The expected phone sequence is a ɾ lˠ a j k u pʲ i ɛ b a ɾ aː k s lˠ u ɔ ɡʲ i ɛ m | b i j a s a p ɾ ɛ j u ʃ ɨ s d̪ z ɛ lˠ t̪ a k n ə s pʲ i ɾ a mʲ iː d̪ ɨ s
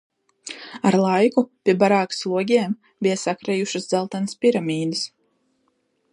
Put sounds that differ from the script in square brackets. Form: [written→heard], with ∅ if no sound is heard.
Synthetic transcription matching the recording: a ɾ lˠ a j k u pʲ i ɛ b a ɾ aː k s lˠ u ɔ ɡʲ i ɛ m | b i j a s a [p→k] ɾ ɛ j u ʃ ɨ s d̪ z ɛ lˠ t̪ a [k→∅] n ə s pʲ i ɾ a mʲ iː d̪ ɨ s